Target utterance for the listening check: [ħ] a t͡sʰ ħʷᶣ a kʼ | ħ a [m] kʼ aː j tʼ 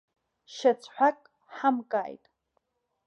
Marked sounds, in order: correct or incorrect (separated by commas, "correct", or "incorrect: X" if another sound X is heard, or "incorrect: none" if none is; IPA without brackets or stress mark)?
incorrect: ʃ, correct